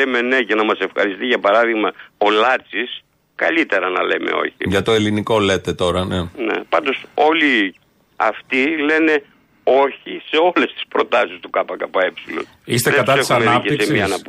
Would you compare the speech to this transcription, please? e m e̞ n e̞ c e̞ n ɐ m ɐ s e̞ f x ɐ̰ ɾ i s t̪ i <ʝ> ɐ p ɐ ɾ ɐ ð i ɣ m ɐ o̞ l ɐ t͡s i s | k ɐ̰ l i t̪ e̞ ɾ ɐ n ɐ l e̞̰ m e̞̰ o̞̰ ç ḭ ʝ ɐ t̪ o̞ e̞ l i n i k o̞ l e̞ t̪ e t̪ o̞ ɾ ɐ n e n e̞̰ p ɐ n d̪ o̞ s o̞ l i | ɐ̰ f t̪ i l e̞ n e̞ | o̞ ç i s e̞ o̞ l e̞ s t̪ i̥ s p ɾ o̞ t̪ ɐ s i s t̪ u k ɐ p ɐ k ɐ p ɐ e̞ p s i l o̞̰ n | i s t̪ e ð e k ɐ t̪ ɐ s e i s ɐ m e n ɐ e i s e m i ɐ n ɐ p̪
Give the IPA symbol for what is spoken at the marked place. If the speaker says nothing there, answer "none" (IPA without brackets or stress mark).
ʝ